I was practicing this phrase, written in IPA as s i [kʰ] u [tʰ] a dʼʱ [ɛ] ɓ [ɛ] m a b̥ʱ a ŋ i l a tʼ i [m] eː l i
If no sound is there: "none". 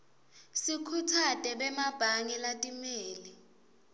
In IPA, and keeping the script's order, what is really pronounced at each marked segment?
kʰ, tʰ, ɛ, ɛ, m

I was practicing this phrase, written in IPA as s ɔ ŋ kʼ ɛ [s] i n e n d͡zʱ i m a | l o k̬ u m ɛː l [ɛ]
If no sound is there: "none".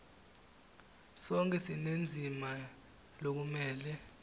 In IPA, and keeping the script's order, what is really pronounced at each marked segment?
s, ɛ

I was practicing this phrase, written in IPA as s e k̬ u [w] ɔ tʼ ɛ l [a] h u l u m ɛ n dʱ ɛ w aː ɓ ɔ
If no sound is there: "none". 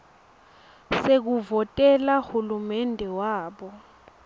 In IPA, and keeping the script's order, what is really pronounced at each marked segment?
v, a

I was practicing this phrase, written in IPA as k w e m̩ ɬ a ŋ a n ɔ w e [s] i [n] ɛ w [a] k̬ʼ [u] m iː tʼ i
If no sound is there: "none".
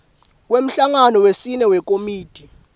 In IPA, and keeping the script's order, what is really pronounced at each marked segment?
s, n, ɛ, o

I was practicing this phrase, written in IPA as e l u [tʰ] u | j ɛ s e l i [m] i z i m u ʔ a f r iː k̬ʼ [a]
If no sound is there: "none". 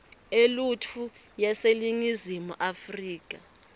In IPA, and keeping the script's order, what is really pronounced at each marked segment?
tʰ, ŋ, a

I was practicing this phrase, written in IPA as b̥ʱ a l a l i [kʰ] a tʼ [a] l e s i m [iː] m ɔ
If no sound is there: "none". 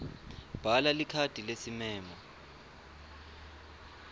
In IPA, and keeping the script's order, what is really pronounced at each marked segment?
kʰ, i, ɛː

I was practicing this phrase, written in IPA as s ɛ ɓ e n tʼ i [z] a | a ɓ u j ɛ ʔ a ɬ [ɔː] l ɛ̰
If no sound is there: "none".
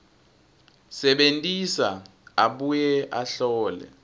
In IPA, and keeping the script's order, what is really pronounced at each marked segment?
s, ɔː

